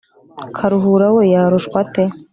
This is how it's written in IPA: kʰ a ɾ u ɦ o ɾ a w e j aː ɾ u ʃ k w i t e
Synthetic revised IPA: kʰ a ɾ u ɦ u ɾ a w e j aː ɾ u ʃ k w a t e